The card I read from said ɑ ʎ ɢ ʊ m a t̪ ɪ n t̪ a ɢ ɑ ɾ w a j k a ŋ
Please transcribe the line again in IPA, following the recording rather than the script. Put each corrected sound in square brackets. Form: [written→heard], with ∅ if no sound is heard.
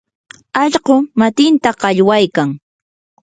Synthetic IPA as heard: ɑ ʎ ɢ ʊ m a t̪ ɪ n t̪ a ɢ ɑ [ɾ→ʎ] w a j k a ŋ